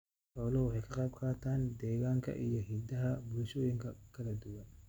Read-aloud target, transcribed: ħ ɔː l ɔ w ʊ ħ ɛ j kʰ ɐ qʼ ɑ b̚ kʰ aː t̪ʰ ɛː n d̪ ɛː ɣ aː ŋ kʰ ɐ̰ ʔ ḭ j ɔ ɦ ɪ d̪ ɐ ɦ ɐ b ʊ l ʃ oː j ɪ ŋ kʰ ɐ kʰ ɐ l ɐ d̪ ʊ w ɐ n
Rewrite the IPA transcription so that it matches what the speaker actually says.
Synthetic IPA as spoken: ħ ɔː l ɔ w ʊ ħ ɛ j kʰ ɐ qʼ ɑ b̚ kʰ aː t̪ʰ aː n d̪ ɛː ɣ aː ŋ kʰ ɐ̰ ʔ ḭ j ɔ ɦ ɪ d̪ ɐ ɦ ɐ b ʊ l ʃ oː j ɪ ŋ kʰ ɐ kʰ ɐ l ɐ d̪ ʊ w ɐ n

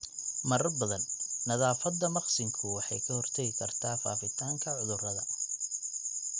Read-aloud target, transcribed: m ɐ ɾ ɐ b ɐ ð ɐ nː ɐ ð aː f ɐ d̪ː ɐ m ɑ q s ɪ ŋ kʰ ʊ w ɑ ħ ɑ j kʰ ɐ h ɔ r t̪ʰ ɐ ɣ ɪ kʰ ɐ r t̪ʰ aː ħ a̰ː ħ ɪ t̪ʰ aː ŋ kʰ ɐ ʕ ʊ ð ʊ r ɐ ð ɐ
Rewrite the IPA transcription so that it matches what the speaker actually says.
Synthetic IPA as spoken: m ɐ ɾ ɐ b ɐ ð ɐ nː ɐ ð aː f ɐ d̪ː ɐ m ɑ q s ɪ ŋ kʰ ʊ w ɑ ħ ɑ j kʰ ɐ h ɔ r t̪ʰ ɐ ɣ ɪ kʰ ɐ r t̪ʰ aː f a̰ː f ɪ t̪ʰ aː ŋ kʰ ɐ ʕ ʊ ð ʊ r ɐ ð ɐ

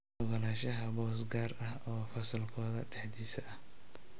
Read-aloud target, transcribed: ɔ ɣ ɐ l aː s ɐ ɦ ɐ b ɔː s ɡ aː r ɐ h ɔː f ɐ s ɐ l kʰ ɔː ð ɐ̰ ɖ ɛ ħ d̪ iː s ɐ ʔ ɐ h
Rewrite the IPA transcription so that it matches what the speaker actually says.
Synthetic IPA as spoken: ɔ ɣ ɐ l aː ʃ ɐ ɦ ɐ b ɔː s ɡ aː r ɐ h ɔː f ɐ s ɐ l kʰ ɔː ð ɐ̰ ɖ ɛ ħ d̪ iː s ɐ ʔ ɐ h

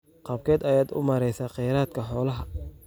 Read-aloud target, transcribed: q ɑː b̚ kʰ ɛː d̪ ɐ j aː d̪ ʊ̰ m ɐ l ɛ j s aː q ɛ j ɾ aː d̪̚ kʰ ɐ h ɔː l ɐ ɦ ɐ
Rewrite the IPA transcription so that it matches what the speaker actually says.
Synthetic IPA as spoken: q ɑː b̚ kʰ ɛː d̪ ɐ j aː d̪ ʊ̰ m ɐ ɾ ɛ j s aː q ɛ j ɾ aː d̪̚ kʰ ɐ ħ ɔː l ɐ ɦ ɐ

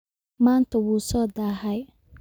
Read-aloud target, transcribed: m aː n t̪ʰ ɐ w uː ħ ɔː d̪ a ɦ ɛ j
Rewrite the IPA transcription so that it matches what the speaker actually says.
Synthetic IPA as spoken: m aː n t̪ʰ ɐ w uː s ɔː d̪ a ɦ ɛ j

